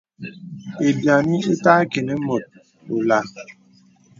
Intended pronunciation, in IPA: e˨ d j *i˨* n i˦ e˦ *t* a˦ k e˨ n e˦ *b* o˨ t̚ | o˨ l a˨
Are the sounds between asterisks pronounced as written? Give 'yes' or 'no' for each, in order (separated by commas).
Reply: no, yes, no